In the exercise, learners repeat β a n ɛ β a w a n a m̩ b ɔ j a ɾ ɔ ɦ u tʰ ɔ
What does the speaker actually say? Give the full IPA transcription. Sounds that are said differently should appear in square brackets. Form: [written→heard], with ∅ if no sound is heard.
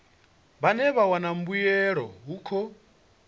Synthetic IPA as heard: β a n ɛ β a w a n a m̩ b [ɔ→u] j [a→ɛ] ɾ ɔ ɦ u [tʰ→kʰ] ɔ